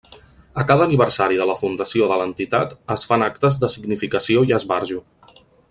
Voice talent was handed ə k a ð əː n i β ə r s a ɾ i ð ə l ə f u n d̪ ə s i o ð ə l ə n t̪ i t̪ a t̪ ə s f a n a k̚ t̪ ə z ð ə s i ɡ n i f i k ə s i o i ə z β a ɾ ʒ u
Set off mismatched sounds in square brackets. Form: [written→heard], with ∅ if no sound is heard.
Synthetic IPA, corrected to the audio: ə k a ð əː n i β ə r s a ɾ i ð ə l ə f u n d̪ ə s i o ð ə l ə n t̪ i t̪ a t̪ ə s f a n a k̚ t̪ ə z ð ə s i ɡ n i f i k ə s i o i ə z β a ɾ ʒ u

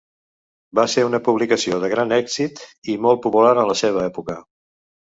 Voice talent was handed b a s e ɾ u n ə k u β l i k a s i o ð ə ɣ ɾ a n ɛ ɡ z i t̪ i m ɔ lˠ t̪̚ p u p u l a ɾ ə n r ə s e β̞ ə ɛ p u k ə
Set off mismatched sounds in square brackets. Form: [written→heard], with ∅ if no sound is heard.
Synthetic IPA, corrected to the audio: b a s e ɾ u n ə [k→p] u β l i k [a→ə] s i o ð ə ɣ ɾ a n ɛ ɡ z i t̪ i m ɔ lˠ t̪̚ p u p u l a ɾ ə n [r→l] ə s e β̞ ə ɛ p u k ə

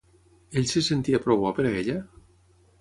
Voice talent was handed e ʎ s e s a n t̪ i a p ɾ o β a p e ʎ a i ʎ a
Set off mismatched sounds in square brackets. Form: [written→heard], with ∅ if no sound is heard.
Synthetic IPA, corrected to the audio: e ʎ s e s [a→e] n t̪ i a p ɾ o β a p e [ʎ→ɾ] a [i→e] ʎ a

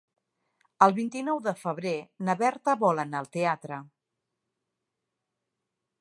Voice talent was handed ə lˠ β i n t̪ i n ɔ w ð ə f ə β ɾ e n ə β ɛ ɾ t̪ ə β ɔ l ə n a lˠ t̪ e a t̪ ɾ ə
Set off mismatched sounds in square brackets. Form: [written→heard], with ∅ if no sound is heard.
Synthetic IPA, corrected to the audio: ə lˠ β i n t̪ i n ɔ w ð ə f ə β ɾ e n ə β ɛ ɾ t̪ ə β ɔ l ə n a lˠ t̪ e a t̪ ɾ ə

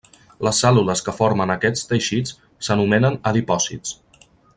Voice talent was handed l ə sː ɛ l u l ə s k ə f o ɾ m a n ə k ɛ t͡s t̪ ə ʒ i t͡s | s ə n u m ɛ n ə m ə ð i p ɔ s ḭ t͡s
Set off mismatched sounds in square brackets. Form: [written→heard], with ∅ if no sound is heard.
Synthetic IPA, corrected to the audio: l ə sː ɛ l u l ə s k ə f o ɾ m [a→ə] n ə k ɛ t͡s t̪ ə [ʒ→ʃ] i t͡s | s ə n u m ɛ n ə [m→n] ə ð i p ɔ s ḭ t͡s

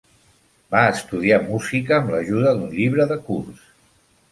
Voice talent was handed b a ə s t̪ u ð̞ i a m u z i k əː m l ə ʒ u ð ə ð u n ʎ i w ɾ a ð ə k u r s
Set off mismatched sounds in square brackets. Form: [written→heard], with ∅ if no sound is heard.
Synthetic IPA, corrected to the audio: b a ə s t̪ u ð̞ i a m u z i k əː m l ə ʒ u ð ə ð u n ʎ i [w→β] ɾ [a→ə] ð ə k u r s

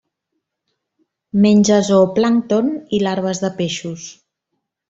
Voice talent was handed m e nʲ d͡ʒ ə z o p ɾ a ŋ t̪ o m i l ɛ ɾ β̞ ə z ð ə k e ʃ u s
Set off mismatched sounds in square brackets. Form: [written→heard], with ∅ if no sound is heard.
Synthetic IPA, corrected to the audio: m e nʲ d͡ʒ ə z o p [ɾ→l] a ŋ t̪ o [m→n] i l [ɛ→a] ɾ β̞ ə z ð ə [k→p] e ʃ u s

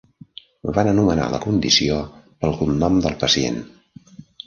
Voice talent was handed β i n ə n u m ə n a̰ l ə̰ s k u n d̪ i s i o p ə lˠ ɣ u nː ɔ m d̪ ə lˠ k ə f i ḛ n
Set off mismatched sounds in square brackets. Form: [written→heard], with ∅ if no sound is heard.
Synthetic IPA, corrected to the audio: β [i→a] n ə n u m ə n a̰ l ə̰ [s→∅] k u n d̪ i s i o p ə lˠ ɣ u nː ɔ m d̪ ə lˠ [k→p] ə [f→s] i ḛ n

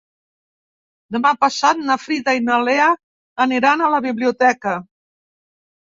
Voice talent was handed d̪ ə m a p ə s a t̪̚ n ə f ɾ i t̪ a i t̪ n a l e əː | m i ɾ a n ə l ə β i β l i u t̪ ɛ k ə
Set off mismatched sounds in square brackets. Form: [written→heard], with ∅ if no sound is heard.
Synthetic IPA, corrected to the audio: d̪ ə m a p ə s a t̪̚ n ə f ɾ i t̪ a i [t̪→∅] n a l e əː | [m→n] i ɾ a n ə l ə β i β l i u t̪ ɛ k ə

